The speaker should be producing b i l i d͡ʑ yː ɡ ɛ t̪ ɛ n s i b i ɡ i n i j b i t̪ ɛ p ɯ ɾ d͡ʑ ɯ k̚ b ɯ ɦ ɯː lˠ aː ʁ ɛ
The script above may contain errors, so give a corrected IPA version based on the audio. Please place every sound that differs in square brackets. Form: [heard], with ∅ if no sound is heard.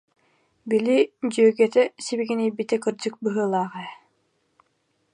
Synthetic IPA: b i l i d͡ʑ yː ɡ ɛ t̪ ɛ [∅] s i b i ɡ i n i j b i t̪ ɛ [k] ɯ ɾ d͡ʑ ɯ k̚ b ɯ ɦ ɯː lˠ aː ʁ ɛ